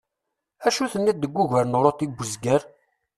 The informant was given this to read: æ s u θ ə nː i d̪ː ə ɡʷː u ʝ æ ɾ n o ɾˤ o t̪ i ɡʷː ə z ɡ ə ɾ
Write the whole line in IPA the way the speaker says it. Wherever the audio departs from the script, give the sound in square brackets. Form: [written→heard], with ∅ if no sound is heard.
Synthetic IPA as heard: æ [s→ʃ] u θ ə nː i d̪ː ə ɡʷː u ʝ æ ɾ n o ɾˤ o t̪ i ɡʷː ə z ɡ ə ɾ